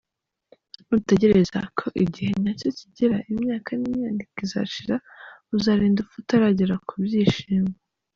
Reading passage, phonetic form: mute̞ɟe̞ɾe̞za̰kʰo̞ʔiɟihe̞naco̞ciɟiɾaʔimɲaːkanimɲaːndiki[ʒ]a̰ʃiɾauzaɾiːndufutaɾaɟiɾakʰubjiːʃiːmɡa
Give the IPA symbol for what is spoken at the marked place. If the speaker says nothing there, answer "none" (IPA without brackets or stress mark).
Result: z